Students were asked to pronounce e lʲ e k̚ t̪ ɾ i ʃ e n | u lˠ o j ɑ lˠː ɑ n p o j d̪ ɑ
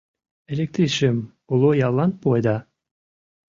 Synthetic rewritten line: e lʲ e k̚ t̪ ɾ i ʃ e m | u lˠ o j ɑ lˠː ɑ n p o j d̪ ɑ